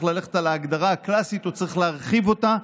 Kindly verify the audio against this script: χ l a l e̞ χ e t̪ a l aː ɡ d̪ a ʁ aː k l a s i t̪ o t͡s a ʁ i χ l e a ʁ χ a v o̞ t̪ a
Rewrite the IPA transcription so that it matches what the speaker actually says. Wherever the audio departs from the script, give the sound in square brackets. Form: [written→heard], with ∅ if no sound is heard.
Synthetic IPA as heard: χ l a l e̞ χ e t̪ a l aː ɡ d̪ a ʁ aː k l a s i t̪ o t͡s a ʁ i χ l e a ʁ χ [a→i] v o̞ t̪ a